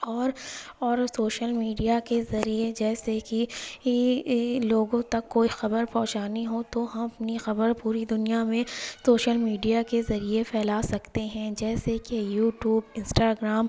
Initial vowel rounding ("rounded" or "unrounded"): rounded